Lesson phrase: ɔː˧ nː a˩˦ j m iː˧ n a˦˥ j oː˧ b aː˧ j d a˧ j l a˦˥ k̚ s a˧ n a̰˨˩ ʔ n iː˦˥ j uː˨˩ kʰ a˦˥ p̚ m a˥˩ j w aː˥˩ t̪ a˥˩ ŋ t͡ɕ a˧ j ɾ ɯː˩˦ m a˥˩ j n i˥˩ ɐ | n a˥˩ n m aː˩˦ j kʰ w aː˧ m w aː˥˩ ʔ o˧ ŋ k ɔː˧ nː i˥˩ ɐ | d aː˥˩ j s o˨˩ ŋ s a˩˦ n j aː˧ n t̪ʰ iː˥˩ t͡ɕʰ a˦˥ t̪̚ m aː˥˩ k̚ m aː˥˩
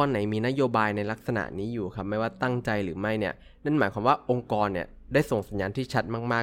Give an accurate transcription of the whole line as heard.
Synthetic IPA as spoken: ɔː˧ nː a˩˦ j m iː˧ n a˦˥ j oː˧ b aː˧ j n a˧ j l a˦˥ k̚ s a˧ n a̰˨˩ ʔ n iː˦˥ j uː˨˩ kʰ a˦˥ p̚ m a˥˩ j w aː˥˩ t̪ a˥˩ ŋ t͡ɕ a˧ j ɾ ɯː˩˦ m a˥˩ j n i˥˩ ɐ | n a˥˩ n m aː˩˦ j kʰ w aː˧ m w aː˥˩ ʔ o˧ ŋ k ɔː˧ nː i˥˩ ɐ | d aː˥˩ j s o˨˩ ŋ s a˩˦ n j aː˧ n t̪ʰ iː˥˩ t͡ɕʰ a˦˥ t̪̚ m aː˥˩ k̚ m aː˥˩